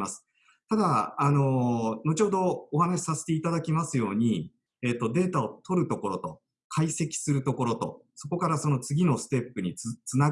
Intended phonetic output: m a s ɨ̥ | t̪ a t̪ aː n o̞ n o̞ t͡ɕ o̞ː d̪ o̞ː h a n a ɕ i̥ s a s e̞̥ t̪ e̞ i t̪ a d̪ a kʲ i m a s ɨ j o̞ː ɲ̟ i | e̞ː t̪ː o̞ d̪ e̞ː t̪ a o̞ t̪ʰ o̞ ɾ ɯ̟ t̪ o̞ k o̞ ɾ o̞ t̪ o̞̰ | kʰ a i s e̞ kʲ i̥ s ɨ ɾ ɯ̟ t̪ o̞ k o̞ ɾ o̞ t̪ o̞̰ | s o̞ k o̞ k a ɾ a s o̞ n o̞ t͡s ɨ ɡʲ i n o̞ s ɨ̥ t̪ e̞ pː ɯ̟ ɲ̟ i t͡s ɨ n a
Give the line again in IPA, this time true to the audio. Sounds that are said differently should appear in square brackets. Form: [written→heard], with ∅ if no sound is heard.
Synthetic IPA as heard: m a s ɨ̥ | t̪ a [t̪→d̪] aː n o̞ n o̞ t͡ɕ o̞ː d̪ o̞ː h a n a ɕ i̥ s a s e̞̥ t̪ e̞ i t̪ a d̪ a kʲ i m a s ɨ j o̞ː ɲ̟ i | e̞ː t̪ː o̞ d̪ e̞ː t̪ a o̞ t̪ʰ o̞ ɾ ɯ̟ t̪ o̞ k o̞ ɾ o̞ t̪ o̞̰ | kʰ a i s e̞ kʲ i̥ s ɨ ɾ ɯ̟ t̪ o̞ k o̞ ɾ o̞ t̪ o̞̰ | s o̞ k o̞ k a ɾ a s o̞ n o̞ t͡s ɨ ɡʲ i n o̞ s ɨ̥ t̪ e̞ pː ɯ̟ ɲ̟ i t͡s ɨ n a